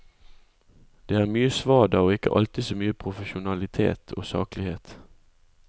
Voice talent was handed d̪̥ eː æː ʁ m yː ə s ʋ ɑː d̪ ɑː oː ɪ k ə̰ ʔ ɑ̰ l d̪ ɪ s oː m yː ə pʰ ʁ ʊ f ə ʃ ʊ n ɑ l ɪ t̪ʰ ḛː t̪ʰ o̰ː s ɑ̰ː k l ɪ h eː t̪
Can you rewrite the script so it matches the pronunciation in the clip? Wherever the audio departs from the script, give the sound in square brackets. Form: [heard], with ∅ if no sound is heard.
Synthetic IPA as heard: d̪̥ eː æː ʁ m yː ə s ʋ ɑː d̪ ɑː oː ɪ k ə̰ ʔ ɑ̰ l [t̪] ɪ s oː m yː ə pʰ ʁ ʊ f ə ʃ ʊ n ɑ l ɪ t̪ʰ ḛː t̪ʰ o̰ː s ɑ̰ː k l ɪ h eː t̪